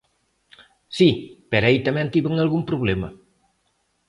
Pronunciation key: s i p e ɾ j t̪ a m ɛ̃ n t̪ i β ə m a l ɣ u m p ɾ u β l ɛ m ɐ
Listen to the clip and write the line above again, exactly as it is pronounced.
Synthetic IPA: s i p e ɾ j t̪ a m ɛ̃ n t̪ i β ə ŋ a l ɣ u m p ɾ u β l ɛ m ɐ